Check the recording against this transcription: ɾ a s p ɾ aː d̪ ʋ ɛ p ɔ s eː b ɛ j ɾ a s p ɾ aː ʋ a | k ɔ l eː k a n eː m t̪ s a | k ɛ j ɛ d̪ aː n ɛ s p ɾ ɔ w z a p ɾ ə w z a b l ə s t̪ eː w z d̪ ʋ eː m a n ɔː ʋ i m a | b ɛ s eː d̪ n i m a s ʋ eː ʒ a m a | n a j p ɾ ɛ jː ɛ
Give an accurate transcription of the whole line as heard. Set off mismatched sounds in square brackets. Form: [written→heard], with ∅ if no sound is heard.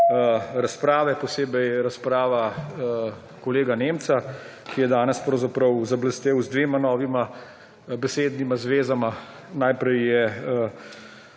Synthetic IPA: ɾ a s p ɾ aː [d̪→∅] ʋ ɛ p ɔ s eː b ɛ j ɾ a s p ɾ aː ʋ a | k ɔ l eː [k→ɡ] a n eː m t̪ s a | k [ɛ→i] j ɛ d̪ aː n ɛ s p ɾ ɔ w z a p ɾ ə w z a b l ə s t̪ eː w z d̪ ʋ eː m a n ɔː ʋ i m a | b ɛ s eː d̪ n i m a [s→z] ʋ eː [ʒ→z] a m a | n a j p ɾ ɛ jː ɛ